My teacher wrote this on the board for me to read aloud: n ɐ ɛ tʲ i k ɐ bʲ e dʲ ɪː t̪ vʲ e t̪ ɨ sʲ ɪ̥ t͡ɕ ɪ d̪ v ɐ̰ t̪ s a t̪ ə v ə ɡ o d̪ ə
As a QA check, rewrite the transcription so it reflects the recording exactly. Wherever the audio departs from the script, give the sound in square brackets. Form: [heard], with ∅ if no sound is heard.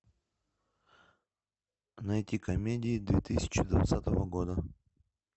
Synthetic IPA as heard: n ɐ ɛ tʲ i k ɐ [mʲ] e dʲ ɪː [d̪] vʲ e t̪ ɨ sʲ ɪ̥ t͡ɕ ɪ d̪ v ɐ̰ t̪ s a t̪ ə v ə ɡ o d̪ ə